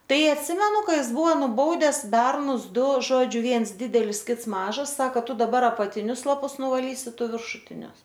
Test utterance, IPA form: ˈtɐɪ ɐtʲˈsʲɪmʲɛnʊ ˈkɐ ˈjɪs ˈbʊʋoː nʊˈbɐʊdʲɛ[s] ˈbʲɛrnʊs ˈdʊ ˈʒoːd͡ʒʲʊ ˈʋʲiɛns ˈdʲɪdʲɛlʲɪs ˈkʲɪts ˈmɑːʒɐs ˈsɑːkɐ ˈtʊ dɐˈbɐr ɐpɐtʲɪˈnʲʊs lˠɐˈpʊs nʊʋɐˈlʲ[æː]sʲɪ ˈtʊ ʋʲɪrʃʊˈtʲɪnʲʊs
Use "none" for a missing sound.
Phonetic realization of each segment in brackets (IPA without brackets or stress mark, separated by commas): s, iː